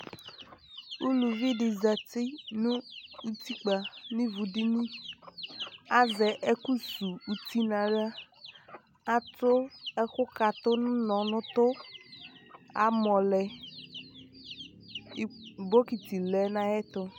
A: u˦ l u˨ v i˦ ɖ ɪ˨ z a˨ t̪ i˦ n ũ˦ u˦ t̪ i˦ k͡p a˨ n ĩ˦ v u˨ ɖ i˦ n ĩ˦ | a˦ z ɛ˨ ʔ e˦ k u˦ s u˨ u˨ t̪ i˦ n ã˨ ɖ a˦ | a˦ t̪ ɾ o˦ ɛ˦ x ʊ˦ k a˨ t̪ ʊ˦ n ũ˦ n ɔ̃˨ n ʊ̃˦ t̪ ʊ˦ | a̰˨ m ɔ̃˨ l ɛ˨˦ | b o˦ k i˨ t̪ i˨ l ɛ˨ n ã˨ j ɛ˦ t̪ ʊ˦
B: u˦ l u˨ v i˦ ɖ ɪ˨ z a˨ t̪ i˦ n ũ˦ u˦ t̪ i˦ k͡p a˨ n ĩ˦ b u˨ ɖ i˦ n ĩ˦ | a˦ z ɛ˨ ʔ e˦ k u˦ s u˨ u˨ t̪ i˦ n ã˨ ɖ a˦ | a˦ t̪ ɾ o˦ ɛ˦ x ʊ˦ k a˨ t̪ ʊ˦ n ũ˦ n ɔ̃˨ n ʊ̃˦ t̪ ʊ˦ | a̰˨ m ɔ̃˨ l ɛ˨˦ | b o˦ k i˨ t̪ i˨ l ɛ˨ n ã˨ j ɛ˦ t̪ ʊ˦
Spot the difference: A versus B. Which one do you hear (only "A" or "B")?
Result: A